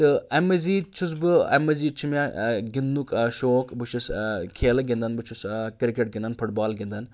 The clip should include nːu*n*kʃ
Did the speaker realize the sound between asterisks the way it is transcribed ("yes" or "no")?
no